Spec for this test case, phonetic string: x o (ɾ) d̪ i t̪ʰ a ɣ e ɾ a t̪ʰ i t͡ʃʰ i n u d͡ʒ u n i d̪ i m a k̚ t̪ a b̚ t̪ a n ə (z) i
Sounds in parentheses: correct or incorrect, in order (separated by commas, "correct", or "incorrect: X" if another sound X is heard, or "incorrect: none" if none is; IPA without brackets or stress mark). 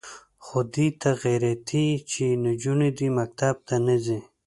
incorrect: none, correct